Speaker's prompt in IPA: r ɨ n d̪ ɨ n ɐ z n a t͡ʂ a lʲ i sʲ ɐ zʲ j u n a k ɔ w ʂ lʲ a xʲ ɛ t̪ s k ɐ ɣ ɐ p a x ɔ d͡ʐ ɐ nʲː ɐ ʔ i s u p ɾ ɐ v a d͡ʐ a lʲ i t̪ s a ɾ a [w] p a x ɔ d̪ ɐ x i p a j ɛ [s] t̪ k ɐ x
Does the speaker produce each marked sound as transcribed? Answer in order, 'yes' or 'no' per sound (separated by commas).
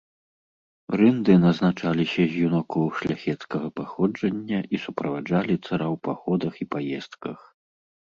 yes, yes